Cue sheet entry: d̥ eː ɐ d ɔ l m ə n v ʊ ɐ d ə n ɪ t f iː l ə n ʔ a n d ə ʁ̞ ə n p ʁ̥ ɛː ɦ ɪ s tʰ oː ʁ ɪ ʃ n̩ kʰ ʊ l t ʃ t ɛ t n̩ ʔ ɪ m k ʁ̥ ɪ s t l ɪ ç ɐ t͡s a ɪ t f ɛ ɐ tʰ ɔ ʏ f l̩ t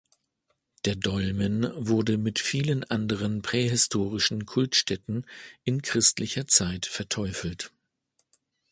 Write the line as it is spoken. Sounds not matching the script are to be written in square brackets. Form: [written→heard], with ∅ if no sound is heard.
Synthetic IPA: d̥ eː ɐ d ɔ l m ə n v ʊ ɐ d ə [n→m] ɪ t f iː l ə n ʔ a n d ə ʁ̞ ə n p ʁ̥ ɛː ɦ ɪ s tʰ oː ʁ ɪ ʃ n̩ kʰ ʊ l t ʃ t ɛ t n̩ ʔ ɪ [m→n] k ʁ̥ ɪ s t l ɪ ç ɐ t͡s a ɪ t f ɛ ɐ tʰ ɔ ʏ f l̩ t